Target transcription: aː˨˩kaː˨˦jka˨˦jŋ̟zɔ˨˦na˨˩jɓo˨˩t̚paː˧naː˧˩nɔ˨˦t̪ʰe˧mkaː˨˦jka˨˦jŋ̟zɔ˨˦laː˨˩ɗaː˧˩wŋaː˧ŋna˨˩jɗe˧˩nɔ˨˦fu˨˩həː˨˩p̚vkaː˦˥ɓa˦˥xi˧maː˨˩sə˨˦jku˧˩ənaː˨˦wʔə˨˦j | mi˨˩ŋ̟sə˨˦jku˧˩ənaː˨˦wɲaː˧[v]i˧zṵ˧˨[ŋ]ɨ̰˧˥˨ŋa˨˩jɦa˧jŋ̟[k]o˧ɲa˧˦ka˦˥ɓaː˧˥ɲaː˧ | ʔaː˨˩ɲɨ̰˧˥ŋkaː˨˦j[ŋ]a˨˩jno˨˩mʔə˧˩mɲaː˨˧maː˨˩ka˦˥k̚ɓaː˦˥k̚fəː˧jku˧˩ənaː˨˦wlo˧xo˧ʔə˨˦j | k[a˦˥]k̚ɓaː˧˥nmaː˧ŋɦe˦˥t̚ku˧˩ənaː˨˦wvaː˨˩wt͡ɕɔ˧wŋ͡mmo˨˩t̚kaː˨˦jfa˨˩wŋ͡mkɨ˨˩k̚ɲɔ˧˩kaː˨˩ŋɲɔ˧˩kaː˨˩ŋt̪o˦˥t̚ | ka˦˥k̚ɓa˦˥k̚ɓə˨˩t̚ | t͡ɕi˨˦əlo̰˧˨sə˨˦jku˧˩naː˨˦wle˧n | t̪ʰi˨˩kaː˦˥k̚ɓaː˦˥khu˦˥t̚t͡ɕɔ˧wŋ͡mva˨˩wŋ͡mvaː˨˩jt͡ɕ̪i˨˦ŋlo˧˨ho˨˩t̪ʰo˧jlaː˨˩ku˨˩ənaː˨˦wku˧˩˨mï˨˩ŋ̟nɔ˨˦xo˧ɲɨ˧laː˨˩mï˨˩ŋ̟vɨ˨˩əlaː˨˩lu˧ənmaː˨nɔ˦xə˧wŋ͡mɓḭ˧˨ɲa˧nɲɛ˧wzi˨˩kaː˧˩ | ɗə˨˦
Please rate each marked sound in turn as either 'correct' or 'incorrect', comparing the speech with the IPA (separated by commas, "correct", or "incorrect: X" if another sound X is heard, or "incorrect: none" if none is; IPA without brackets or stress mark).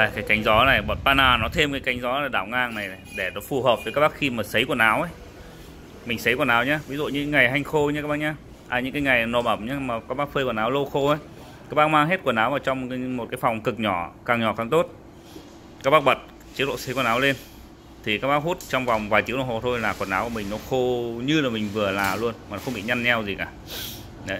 correct, incorrect: ɲ, incorrect: x, correct, correct